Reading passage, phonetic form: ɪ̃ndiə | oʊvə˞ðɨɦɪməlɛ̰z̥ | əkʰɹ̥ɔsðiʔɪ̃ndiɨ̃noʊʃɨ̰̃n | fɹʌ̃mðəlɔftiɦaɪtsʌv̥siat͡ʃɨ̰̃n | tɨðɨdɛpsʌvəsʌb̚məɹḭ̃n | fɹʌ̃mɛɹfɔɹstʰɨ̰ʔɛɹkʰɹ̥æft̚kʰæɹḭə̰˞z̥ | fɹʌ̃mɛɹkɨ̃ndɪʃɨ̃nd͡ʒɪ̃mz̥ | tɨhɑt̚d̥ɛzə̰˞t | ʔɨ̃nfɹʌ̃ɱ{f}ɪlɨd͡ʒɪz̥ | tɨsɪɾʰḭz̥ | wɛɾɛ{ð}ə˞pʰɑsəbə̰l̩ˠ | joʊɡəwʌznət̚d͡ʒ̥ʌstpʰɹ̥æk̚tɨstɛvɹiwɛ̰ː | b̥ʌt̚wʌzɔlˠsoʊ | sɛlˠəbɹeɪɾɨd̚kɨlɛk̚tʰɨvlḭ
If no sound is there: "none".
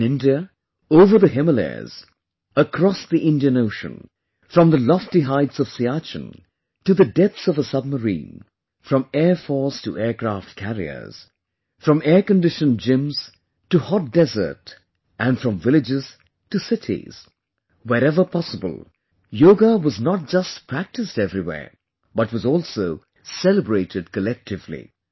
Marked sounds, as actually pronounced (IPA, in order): v, v

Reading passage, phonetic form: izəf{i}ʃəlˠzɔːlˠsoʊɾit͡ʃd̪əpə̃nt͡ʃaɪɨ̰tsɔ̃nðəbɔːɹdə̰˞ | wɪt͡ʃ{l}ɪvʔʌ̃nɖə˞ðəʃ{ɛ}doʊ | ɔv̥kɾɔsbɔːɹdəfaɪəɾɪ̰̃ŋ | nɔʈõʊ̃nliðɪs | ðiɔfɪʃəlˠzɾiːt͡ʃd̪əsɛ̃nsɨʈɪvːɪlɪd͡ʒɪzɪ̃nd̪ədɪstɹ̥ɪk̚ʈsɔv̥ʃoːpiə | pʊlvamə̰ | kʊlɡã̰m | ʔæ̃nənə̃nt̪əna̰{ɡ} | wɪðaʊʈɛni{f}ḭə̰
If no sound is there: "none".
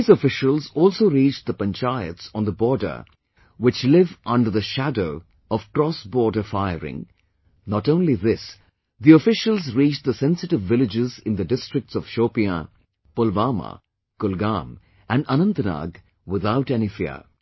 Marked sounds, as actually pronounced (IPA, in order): ɪ, l, æ, ɡ, f

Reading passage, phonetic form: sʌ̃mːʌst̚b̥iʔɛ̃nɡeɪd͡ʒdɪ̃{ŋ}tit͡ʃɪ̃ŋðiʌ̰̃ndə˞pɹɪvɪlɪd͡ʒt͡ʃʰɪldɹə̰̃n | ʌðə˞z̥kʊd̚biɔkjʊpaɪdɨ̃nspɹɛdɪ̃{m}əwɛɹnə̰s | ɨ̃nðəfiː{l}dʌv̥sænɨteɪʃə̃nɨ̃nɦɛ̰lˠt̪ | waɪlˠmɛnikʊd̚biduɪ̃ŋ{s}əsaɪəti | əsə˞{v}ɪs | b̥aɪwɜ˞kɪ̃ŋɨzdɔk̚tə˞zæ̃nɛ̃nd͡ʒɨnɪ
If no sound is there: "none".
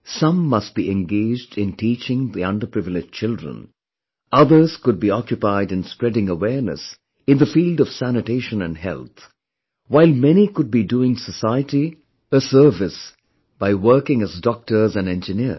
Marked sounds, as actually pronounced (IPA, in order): n, ŋ, l, s, v

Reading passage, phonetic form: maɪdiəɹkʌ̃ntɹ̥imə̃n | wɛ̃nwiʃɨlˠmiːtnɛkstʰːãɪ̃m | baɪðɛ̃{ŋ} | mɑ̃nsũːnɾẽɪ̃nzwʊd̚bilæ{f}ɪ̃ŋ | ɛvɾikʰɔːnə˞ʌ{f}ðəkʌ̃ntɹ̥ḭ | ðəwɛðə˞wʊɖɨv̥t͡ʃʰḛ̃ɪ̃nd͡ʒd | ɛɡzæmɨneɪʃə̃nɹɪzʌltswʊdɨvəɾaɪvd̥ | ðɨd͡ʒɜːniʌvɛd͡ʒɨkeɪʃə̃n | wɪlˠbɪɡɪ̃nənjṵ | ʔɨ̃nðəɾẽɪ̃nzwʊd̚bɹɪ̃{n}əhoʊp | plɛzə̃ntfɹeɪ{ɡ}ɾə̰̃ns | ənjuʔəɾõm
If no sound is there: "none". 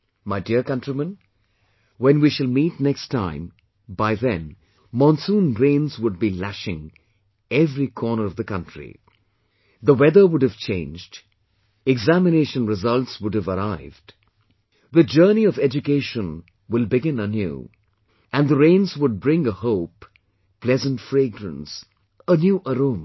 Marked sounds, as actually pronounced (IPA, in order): n, ʃ, v, ŋ, ɡ

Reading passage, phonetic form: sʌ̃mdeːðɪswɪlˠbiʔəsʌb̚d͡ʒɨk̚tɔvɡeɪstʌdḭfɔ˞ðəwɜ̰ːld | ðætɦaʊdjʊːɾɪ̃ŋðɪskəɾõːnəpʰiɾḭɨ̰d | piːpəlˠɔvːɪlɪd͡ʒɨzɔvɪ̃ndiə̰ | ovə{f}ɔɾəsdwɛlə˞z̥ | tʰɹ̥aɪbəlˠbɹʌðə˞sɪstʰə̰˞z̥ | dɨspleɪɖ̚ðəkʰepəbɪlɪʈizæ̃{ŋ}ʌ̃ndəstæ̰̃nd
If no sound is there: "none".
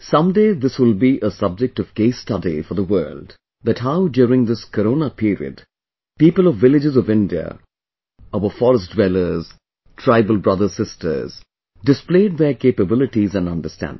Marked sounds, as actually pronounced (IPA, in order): f, n

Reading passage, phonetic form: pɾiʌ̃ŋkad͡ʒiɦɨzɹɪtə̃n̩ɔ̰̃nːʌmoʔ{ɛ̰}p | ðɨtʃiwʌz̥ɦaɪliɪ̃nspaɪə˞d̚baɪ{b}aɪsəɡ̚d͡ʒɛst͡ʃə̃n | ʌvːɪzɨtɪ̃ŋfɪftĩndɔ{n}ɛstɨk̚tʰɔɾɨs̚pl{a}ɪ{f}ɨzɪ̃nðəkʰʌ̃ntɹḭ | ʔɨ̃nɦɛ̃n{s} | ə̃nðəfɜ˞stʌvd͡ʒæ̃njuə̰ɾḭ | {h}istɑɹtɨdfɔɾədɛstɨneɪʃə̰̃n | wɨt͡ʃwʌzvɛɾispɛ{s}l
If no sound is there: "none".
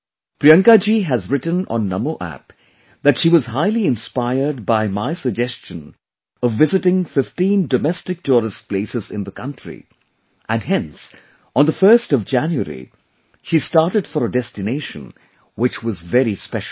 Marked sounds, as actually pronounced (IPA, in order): æ̰, m, m, e, s, s, ʃ, ʃ

